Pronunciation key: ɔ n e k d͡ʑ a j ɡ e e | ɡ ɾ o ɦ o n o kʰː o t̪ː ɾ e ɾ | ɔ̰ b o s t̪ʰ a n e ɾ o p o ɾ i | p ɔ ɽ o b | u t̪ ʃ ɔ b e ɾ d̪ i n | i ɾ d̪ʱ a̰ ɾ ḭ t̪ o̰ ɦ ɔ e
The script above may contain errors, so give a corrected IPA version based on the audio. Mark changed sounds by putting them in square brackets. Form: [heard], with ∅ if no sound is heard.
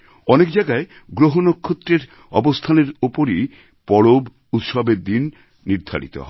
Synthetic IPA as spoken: ɔ n e k d͡ʑ a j ɡ [a] e | ɡ ɾ o ɦ o n o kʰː o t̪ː ɾ e ɾ | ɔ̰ b o s t̪ʰ a n e ɾ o p o ɾ i | p ɔ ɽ o b | u t̪ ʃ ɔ b e ɾ d̪ i [nː] | i ɾ d̪ʱ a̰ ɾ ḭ t̪ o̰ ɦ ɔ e